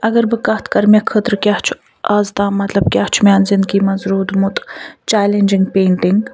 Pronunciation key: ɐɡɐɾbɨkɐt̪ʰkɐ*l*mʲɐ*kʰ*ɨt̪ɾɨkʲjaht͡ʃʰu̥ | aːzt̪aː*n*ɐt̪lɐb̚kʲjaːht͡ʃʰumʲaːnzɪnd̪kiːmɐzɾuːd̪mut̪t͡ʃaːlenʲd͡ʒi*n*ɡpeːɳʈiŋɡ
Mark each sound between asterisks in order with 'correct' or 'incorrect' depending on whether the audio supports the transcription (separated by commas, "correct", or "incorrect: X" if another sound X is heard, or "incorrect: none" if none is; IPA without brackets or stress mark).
incorrect: ɾ, correct, incorrect: m, incorrect: ŋ